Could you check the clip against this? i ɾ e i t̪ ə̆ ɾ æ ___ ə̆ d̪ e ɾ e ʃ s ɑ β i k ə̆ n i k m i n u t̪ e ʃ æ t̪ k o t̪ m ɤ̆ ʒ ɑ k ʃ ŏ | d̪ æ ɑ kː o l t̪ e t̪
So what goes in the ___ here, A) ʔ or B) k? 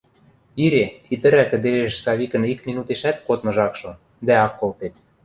B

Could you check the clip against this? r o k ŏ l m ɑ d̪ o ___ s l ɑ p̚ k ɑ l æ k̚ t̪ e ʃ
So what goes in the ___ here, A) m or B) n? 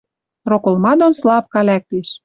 B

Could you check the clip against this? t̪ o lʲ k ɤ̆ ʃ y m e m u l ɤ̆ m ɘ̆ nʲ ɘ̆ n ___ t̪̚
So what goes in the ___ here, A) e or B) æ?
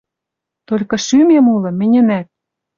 B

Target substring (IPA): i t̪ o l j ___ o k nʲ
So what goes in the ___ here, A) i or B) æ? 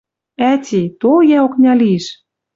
B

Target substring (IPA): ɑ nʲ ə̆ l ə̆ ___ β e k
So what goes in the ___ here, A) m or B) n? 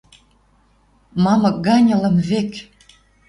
A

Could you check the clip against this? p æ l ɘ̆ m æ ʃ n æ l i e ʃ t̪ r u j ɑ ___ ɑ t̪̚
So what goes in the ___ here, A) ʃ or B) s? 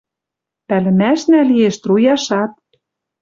A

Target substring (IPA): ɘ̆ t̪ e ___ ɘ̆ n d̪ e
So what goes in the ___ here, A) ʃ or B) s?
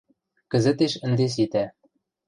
A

